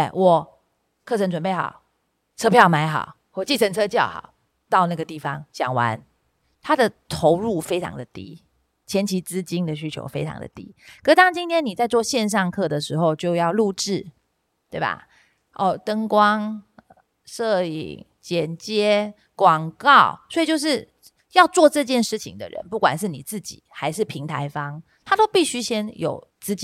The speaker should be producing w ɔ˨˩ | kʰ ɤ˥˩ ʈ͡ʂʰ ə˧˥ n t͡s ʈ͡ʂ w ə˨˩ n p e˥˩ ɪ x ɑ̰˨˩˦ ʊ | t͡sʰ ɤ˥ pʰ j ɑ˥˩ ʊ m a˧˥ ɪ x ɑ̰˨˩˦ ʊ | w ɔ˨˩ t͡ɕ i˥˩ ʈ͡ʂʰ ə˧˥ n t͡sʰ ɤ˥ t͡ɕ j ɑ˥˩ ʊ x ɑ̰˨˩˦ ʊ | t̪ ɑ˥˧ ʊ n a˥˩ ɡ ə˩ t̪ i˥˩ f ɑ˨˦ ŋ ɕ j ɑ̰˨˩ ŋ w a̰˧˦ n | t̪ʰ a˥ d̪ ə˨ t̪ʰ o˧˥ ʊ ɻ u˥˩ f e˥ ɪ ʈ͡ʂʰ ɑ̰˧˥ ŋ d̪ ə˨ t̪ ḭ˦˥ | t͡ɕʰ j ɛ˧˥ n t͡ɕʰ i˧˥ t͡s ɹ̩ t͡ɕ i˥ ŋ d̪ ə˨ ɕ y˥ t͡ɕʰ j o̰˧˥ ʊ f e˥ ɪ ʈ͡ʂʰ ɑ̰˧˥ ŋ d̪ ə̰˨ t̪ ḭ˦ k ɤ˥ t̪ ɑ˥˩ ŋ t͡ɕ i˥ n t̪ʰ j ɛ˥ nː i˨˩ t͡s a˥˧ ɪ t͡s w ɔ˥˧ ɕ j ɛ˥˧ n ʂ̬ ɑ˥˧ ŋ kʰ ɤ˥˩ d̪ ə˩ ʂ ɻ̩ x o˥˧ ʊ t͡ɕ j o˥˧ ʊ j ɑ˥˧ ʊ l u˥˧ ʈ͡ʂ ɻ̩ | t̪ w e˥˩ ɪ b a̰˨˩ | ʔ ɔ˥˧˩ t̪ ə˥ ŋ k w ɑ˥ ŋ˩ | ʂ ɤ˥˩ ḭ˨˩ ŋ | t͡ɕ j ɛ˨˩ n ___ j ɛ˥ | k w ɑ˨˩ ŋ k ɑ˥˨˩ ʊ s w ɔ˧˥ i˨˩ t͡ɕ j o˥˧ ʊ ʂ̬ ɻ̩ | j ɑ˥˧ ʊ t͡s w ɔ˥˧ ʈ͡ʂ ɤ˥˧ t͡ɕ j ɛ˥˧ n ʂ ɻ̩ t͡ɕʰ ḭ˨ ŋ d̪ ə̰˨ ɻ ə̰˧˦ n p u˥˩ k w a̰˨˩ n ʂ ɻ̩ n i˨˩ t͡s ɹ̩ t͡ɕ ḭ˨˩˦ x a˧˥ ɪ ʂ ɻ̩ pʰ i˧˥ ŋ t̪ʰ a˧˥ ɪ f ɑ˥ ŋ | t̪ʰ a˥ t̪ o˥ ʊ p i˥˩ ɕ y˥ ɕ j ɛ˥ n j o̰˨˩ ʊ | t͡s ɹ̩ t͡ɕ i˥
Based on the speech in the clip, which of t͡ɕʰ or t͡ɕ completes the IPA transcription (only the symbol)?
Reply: t͡ɕ